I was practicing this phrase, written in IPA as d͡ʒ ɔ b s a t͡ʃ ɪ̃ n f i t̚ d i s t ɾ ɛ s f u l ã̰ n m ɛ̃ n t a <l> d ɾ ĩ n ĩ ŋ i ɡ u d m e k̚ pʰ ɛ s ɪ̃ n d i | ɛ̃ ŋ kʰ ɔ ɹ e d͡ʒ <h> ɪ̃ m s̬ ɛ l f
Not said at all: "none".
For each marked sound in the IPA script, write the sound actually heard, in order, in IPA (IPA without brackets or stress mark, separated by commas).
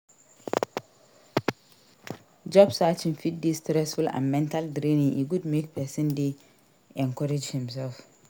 l, h